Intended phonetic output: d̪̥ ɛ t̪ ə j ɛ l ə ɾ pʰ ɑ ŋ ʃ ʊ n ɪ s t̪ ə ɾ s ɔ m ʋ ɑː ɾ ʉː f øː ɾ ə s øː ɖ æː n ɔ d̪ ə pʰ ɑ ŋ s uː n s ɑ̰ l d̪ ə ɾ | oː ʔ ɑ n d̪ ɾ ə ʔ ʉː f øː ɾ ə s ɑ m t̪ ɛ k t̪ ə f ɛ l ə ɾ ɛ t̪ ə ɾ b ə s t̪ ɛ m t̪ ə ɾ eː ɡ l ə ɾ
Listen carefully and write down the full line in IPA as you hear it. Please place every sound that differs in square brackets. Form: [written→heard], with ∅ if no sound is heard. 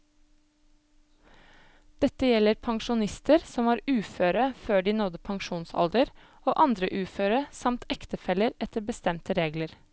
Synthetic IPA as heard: d̪̥ ɛ t̪ ə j ɛ l ə ɾ pʰ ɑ ŋ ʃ ʊ n ɪ s t̪ ə ɾ s ɔ m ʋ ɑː ɾ ʉː f øː ɾ ə [s→f] øː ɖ [æː→iː] n ɔ d̪ ə pʰ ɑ ŋ [s→ʃ] uː n s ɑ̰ l d̪ ə ɾ | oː ʔ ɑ n d̪ ɾ ə ʔ ʉː f øː ɾ ə s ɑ m t̪ ɛ k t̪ ə f ɛ l ə ɾ ɛ t̪ ə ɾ b ə s t̪ ɛ m t̪ ə ɾ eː ɡ l ə ɾ

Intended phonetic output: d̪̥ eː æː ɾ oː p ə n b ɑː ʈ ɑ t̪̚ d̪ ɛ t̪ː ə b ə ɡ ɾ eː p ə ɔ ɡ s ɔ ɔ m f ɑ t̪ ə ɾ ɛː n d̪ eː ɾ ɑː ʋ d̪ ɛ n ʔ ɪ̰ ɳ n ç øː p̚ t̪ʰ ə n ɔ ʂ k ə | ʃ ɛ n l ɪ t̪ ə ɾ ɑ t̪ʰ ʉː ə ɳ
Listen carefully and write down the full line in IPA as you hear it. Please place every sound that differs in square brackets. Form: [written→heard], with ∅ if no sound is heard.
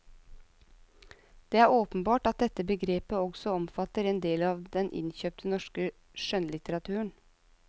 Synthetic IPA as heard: d̪̥ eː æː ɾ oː p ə n b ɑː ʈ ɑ t̪̚ d̪ ɛ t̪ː ə b ə ɡ ɾ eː p ə ɔ ɡ s ɔ ɔ m f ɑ t̪ ə ɾ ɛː n d̪ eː [ɾ→l] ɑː ʋ d̪ ɛ n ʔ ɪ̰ [ɳ→∅] n ç øː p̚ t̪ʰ ə n ɔ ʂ k ə | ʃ [ɛ→œ] n l ɪ t̪ ə ɾ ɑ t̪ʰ ʉː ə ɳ

